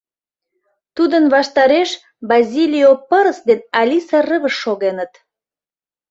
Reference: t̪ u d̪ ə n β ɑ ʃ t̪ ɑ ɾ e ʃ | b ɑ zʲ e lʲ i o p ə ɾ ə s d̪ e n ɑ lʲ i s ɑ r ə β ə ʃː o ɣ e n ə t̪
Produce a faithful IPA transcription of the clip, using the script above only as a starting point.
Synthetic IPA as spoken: t̪ u d̪ ə n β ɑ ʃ t̪ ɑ ɾ e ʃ | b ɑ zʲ i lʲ i o p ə ɾ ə s d̪ e n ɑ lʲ i s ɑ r ə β ə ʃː o ɣ e n ə t̪

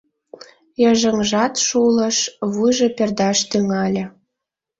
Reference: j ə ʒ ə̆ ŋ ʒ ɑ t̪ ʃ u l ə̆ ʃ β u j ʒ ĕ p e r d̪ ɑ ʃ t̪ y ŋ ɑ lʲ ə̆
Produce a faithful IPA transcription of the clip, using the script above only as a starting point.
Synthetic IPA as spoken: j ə ʒ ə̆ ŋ ʒ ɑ t̪ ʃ u l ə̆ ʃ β u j ʒ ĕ p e r d̪ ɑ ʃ t̪ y ŋ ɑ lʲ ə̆

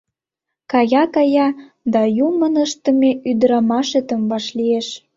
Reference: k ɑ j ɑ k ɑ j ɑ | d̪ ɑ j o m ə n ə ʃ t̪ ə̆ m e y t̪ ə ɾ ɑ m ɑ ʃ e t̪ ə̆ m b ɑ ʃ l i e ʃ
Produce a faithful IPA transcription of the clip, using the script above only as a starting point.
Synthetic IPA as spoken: k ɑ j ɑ k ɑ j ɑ | d̪ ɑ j u m ə n ə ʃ t̪ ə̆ m e y d̪ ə ɾ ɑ m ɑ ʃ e t̪ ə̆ m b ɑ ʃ l i e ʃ

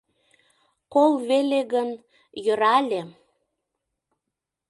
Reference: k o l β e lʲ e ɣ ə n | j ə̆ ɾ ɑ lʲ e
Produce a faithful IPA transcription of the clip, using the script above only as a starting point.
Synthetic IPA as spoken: k o l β e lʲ e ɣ ə n | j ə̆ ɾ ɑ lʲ e

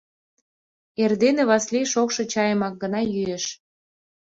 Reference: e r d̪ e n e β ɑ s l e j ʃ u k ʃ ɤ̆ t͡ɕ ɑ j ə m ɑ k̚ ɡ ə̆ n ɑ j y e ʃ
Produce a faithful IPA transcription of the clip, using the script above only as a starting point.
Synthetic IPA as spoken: e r d̪ e n e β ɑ s l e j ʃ o k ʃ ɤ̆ t͡ɕ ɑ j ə m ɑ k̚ ɡ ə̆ n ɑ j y e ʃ

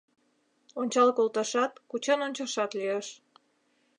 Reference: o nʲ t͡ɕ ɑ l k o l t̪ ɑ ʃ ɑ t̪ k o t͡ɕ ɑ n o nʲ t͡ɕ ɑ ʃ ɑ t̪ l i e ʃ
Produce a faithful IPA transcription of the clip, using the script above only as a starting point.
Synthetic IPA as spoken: o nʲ t͡ɕ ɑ l k o l t̪ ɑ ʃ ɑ t̪ k u t͡ɕ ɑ n o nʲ t͡ɕ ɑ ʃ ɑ t̪ l i e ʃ

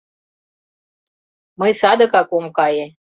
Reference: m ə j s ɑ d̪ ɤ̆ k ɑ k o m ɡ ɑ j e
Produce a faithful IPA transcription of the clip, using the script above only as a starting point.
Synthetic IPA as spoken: m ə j s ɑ d̪ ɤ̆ k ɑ k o m k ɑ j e

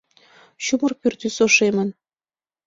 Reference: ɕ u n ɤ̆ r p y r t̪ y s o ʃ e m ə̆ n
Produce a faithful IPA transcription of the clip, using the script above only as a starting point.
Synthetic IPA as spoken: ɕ u m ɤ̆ r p y r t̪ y s o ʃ e m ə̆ n

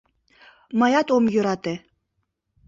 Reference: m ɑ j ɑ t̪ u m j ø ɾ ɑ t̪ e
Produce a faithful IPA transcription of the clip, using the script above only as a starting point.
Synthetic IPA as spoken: m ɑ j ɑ t̪ o m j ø ɾ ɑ t̪ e

